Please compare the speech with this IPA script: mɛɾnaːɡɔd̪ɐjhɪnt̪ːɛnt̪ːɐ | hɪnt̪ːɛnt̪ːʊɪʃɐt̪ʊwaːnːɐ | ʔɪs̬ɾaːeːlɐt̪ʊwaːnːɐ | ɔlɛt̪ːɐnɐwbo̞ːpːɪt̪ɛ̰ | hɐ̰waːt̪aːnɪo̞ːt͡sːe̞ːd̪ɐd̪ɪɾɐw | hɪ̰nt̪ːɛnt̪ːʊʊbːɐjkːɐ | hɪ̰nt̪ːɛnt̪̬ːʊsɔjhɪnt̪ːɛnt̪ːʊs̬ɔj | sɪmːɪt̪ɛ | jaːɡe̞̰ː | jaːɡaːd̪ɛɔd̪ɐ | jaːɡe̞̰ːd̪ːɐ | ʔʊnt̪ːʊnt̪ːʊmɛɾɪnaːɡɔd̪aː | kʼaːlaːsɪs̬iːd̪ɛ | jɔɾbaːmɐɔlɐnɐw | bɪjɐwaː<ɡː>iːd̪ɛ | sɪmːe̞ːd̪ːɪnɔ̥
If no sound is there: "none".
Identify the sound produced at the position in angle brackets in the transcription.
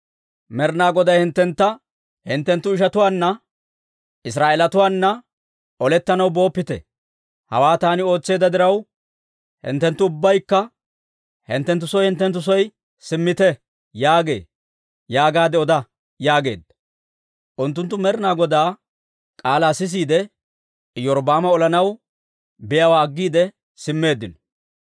ɡː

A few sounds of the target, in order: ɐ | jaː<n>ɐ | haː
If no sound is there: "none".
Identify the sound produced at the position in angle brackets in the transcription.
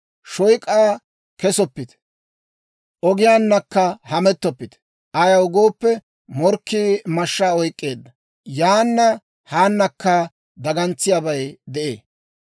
nː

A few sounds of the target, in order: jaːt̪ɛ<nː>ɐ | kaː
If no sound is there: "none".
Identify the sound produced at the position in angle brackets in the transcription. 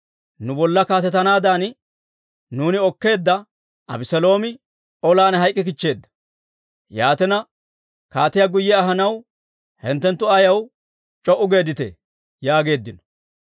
n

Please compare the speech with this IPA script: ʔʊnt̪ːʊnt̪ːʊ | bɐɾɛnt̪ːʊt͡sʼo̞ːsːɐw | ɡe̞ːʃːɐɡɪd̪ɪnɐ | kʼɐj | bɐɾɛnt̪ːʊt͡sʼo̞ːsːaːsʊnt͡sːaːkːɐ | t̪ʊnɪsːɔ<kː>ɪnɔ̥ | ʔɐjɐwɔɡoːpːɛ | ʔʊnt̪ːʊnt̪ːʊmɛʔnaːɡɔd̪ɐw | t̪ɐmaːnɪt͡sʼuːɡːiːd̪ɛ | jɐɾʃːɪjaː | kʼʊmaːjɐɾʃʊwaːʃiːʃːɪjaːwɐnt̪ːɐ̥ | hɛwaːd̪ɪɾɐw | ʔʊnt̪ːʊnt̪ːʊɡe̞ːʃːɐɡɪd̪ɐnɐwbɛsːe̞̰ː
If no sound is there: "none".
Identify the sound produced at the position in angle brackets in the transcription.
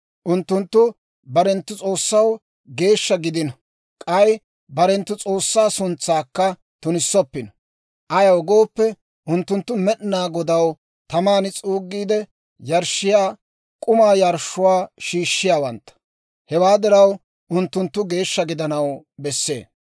pː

